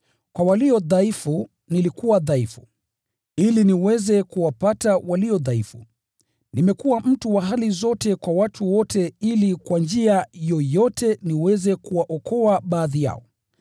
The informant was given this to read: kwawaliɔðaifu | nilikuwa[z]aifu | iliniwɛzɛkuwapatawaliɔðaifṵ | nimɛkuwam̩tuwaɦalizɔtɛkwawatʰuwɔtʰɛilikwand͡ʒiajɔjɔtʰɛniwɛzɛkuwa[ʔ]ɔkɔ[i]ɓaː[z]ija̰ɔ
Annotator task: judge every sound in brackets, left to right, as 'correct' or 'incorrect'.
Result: incorrect: ð, correct, incorrect: a, incorrect: ð

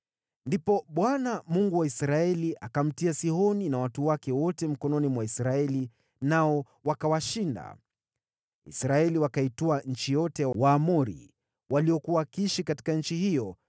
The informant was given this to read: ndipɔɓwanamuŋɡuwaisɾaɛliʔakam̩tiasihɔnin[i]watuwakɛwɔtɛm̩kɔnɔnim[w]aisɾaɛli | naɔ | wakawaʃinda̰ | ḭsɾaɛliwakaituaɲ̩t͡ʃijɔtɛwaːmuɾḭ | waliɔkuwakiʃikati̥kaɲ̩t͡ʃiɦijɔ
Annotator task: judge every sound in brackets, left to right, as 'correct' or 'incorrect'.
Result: incorrect: a, correct

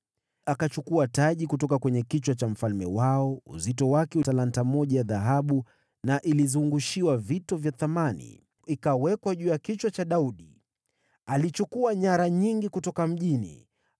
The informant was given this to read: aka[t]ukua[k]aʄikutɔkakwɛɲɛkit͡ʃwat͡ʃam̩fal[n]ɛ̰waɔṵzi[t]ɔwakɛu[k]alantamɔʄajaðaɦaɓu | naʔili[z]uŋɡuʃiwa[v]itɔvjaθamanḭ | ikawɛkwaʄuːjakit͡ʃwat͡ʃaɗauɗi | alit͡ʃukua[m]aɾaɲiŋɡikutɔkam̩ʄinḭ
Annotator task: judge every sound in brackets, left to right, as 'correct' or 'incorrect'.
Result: incorrect: t͡ʃ, incorrect: t, incorrect: m, correct, incorrect: t, correct, correct, incorrect: ɲ

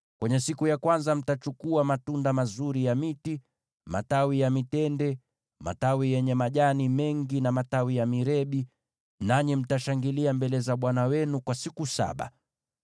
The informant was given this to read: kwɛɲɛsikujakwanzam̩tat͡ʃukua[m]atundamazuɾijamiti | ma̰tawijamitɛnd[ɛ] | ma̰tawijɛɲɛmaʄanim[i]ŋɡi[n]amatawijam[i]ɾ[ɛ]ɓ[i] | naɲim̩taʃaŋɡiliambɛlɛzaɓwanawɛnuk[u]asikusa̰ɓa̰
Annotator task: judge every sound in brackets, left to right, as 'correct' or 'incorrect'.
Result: correct, correct, incorrect: ɛ, correct, correct, correct, correct, incorrect: w

